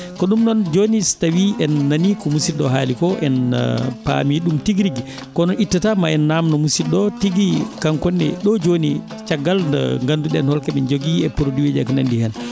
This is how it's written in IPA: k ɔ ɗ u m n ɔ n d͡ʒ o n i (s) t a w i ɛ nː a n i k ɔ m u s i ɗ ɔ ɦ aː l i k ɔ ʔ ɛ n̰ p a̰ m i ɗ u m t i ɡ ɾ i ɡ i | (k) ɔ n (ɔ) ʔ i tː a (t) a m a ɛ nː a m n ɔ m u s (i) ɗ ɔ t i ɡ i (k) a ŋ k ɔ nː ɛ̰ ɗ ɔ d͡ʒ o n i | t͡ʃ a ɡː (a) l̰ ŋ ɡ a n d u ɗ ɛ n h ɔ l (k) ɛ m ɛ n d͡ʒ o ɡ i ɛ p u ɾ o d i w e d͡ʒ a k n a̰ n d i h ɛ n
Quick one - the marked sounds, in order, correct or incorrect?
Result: correct, correct, correct, correct, correct, correct, correct, correct

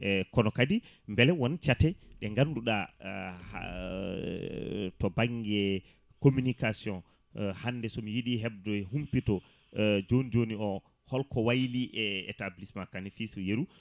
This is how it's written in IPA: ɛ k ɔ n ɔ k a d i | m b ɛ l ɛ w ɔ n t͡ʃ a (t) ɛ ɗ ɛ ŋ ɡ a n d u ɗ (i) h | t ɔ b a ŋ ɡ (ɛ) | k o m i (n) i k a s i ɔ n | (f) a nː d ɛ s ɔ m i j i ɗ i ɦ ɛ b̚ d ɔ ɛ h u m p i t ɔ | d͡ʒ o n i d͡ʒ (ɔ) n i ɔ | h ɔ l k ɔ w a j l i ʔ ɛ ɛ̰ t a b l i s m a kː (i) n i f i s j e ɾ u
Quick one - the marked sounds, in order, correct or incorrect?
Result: correct, incorrect, correct, correct, incorrect, incorrect, incorrect

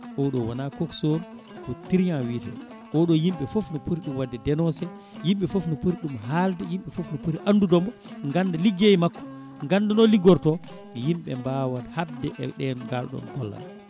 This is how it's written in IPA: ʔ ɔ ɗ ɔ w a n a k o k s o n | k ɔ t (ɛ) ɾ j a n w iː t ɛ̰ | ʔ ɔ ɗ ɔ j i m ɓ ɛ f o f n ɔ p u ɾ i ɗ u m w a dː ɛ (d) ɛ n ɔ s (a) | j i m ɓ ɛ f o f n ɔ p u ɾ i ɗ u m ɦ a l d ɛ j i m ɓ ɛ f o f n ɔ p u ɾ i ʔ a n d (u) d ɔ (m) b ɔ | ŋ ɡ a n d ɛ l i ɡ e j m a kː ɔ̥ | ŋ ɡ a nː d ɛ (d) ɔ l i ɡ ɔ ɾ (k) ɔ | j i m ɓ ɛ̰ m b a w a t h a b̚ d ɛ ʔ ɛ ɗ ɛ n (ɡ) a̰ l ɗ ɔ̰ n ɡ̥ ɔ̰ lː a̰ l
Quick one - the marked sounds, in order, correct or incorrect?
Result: incorrect, correct, incorrect, correct, correct, incorrect, incorrect, correct

